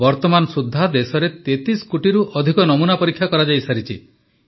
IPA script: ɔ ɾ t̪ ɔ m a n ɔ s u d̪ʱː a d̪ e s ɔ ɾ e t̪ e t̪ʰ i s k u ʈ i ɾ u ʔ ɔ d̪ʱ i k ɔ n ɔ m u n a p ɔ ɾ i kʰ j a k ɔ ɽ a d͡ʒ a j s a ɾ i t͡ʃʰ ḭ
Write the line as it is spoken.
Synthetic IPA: ɔ ɾ t̪ ɔ m a n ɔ s u d̪ʱː a d̪ e s ɔ ɾ e t̪ e t̪ i s k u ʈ i ɾ u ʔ ɔ d̪ʱ i k ɔ n ɔ m u n a p ɔ ɾ i kʰ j a k ɔ ɾ a d͡ʒ a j s a ɾ i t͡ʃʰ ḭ